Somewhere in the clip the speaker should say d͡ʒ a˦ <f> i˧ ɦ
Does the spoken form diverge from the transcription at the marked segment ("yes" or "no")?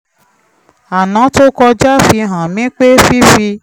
no